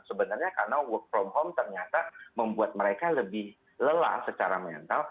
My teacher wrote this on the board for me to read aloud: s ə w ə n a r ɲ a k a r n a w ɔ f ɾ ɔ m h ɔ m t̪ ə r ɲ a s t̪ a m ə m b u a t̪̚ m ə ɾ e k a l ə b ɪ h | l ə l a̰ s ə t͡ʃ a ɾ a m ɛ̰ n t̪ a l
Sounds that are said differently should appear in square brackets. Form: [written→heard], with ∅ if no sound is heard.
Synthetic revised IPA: s ə [w→b] ə n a r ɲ a k a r n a w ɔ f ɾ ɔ m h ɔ m t̪ ə r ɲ a [s→∅] t̪ a m ə m b u a t̪̚ m ə ɾ e k a l ə b ɪ h | l ə l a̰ s ə t͡ʃ a ɾ a m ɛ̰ n t̪ a l